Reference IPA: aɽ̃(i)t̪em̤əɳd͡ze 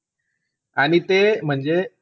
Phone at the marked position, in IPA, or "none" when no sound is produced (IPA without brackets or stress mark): i